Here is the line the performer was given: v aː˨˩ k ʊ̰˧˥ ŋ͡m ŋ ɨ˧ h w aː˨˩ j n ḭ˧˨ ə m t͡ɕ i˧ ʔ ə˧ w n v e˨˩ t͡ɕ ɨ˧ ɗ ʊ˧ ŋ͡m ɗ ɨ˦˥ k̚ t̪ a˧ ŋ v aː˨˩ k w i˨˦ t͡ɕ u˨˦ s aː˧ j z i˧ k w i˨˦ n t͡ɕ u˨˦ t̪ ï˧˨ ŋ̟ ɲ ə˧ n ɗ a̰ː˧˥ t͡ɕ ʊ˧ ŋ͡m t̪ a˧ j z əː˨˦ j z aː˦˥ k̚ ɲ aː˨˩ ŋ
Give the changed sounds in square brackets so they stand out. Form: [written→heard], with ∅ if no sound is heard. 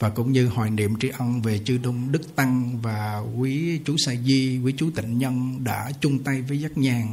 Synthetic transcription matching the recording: v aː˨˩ k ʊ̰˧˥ ŋ͡m [ŋ→ɲ] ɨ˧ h w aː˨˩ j n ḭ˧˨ ə m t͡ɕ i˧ ʔ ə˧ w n v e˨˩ t͡ɕ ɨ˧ ɗ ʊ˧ ŋ͡m ɗ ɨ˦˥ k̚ t̪ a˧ ŋ v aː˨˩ k w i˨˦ t͡ɕ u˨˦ s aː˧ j z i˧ k w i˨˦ [n→∅] t͡ɕ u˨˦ t̪ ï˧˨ ŋ̟ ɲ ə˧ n ɗ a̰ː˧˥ t͡ɕ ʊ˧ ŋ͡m t̪ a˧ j [z→v] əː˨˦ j z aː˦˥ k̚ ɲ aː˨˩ ŋ